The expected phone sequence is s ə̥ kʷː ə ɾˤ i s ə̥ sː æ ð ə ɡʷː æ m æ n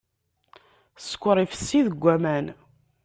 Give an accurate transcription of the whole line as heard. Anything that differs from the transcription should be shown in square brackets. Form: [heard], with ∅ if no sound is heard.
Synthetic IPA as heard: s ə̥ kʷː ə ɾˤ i [f] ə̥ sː [i] ð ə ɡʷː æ m æ n